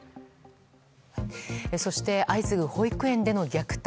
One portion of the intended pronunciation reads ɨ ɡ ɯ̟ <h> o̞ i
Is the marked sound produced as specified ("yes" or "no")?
yes